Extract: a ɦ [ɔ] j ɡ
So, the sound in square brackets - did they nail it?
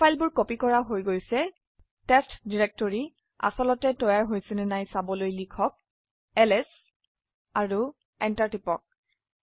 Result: no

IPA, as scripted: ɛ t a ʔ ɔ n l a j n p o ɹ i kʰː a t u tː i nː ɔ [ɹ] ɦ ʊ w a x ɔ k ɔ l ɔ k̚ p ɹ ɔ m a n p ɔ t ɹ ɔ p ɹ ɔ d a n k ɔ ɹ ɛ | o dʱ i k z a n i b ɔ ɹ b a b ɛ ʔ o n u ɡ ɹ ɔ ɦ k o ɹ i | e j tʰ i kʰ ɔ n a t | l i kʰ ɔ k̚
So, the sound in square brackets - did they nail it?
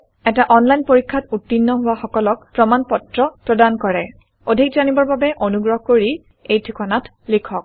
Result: no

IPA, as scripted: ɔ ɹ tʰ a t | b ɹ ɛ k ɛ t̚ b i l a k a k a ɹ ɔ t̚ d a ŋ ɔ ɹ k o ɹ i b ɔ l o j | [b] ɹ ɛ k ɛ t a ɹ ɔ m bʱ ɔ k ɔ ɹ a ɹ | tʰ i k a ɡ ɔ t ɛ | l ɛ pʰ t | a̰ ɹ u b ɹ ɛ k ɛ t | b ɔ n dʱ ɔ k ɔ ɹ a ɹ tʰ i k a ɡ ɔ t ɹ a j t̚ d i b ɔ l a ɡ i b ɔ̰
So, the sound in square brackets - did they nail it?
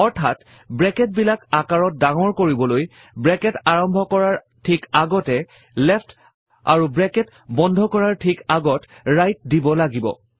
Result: yes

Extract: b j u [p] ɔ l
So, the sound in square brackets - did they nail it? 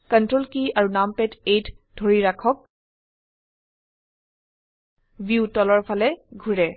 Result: no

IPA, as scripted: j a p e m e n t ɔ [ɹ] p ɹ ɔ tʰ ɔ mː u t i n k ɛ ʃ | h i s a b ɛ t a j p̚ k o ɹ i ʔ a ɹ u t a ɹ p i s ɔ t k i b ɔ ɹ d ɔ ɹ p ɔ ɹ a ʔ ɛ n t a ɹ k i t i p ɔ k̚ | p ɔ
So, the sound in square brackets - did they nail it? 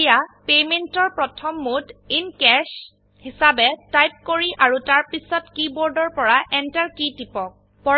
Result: yes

